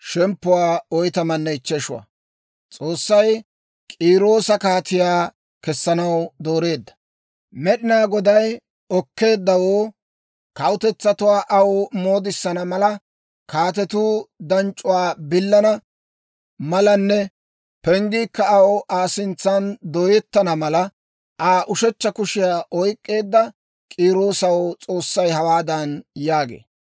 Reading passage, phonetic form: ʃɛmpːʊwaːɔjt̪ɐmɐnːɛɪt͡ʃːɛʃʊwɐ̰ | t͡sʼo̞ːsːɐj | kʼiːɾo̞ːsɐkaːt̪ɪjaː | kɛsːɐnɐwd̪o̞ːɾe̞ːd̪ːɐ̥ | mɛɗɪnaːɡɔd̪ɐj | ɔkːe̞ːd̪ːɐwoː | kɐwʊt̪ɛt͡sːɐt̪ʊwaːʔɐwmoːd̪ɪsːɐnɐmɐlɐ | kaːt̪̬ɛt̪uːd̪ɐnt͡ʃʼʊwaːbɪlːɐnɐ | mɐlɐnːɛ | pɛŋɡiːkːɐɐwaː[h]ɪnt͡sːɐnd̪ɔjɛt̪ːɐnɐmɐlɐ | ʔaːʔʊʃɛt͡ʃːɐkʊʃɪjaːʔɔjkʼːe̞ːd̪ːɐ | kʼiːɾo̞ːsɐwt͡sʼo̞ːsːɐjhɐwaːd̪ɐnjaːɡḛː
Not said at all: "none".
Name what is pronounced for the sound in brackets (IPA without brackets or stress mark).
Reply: s